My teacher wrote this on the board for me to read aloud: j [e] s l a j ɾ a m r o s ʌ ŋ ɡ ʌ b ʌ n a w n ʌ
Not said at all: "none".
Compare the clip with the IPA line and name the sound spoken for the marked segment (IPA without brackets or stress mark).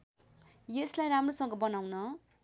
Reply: e